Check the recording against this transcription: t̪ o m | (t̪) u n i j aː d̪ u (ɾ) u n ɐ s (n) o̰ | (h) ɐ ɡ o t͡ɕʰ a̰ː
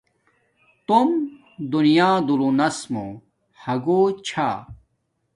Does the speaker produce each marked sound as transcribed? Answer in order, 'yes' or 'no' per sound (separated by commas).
no, no, no, yes